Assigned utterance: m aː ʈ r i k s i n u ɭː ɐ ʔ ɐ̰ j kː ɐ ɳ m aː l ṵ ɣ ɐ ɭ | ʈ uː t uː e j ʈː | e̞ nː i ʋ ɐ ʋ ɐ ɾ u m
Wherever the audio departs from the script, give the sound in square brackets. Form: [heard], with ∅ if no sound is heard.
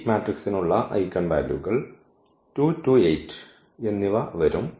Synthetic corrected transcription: m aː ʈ r i k s i n u ɭː ɐ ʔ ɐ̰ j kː ɐ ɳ [b] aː l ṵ ɣ ɐ ɭ | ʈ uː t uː e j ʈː | e̞ nː i ʋ ɐ ʋ ɐ ɾ u m